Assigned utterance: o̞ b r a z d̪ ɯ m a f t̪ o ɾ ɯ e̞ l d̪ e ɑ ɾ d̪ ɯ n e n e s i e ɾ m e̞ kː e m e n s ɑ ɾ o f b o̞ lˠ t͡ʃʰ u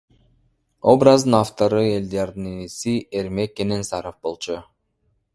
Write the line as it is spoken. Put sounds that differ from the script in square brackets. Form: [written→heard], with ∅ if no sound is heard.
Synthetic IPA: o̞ b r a z d̪ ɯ [m→n] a f t̪ o ɾ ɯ e̞ l d̪ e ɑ ɾ d̪ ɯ n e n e s i e ɾ m e̞ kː e [m→n] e n s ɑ ɾ o f b o̞ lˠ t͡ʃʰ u